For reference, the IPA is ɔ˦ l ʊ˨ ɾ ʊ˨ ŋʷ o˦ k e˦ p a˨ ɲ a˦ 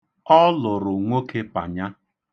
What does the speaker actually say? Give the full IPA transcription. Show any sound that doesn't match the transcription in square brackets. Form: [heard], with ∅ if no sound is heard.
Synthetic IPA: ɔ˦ l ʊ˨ ɾ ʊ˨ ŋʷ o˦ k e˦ p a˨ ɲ a˦